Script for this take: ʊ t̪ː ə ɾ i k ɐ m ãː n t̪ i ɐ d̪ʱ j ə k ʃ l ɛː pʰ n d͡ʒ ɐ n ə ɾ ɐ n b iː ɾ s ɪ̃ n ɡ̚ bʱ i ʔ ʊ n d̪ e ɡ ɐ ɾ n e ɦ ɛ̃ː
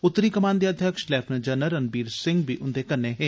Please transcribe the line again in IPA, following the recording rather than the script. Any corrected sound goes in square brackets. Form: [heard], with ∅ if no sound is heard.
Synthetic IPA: ʊ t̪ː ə ɾ i k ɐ m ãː n [d̪] i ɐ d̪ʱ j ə k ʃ l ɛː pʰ n d͡ʒ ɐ n ə ɾ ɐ n b iː ɾ s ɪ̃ [ŋ] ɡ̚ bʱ i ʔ ʊ n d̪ e [k] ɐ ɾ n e ɦ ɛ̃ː